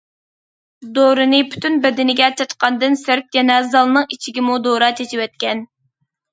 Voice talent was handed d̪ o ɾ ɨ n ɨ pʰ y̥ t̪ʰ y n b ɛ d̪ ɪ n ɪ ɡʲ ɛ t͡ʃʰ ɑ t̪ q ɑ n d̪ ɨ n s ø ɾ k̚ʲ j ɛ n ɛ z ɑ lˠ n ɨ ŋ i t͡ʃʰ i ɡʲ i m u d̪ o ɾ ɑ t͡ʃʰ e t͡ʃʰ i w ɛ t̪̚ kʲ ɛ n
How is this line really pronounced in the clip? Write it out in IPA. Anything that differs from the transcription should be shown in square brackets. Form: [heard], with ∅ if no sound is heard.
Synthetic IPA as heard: d̪ o ɾ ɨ n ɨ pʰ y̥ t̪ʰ y n b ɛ d̪ ɪ n ɪ ɡʲ ɛ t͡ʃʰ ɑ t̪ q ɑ n d̪ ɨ n s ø ɾ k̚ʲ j ɛ n ɛ z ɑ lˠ n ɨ ŋ i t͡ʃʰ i ɡʲ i m u d̪ o ɾ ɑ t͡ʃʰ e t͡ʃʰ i w ɛ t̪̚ kʲ ɛ n